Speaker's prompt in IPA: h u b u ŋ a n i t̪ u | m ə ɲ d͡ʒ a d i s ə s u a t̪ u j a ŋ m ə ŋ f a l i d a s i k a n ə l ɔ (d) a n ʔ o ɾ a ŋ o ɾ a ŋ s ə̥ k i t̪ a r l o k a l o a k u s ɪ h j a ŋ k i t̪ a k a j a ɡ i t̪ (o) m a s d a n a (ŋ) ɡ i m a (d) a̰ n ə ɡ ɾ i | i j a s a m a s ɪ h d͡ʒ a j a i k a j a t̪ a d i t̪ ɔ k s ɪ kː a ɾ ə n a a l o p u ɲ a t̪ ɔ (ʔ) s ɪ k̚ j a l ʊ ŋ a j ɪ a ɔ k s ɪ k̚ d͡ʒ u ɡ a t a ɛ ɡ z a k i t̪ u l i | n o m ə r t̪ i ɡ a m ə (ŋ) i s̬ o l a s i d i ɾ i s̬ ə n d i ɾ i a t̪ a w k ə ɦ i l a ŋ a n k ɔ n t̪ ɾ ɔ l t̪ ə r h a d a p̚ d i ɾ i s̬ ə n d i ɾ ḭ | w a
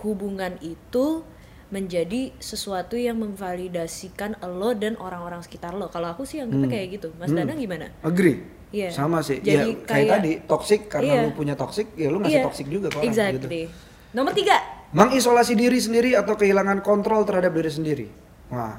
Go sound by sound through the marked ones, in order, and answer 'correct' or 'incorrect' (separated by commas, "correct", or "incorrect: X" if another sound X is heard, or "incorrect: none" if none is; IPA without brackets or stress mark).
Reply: correct, incorrect: u, correct, incorrect: n, incorrect: k, correct